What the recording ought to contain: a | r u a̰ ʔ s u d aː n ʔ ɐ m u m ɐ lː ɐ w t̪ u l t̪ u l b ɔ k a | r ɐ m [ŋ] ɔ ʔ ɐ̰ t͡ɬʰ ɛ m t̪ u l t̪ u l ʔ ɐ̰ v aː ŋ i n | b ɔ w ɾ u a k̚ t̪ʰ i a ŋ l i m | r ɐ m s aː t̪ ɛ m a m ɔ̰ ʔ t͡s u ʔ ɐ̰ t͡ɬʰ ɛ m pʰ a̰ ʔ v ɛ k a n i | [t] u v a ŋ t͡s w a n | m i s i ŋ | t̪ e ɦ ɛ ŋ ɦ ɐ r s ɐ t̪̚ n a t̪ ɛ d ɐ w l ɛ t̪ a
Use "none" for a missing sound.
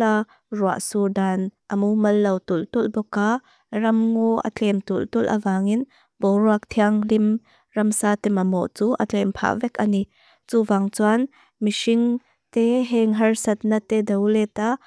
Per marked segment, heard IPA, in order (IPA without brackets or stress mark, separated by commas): ŋ, t͡s